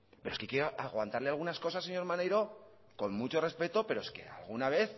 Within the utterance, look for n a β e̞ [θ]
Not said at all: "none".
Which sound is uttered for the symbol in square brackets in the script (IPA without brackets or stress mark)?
θ